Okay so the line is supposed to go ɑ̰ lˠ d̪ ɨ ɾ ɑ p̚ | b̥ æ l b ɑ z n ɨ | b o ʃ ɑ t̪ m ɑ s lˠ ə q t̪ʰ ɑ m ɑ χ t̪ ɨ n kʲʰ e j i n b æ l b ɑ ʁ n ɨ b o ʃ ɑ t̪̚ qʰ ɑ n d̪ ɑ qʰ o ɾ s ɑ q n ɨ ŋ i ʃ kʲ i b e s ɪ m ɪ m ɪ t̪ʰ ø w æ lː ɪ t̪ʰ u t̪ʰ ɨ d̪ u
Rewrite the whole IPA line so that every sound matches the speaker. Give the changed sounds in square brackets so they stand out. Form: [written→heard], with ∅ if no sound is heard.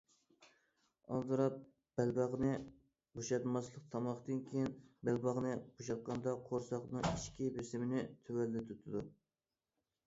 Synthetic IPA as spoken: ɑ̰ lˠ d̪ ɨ ɾ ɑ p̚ | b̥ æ l b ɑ [z→ʁ] n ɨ | b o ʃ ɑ t̪ m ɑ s lˠ ə q t̪ʰ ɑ m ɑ χ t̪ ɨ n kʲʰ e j i n b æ l b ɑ ʁ n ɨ b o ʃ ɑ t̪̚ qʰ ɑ n d̪ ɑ qʰ o ɾ s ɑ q n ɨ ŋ i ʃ kʲ i b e s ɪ m ɪ [m→n] ɪ t̪ʰ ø w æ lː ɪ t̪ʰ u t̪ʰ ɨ d̪ u